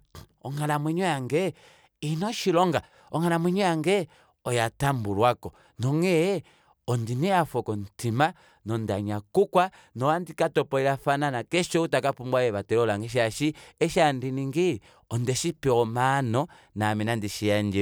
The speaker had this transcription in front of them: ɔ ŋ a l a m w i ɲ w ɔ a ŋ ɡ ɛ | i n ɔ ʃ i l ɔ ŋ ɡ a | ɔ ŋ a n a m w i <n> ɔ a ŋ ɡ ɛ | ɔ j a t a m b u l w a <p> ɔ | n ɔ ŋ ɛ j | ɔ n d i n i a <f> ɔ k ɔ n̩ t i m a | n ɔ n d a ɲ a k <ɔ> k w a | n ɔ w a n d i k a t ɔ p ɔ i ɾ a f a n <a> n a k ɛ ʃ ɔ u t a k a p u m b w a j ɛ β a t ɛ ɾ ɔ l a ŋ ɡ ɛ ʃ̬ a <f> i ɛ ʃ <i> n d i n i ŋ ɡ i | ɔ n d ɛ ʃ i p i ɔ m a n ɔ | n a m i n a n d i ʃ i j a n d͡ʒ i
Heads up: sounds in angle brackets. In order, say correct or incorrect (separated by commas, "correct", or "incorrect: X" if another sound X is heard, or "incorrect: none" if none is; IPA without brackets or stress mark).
incorrect: ɲ, incorrect: k, correct, incorrect: u, correct, incorrect: ʃ, incorrect: a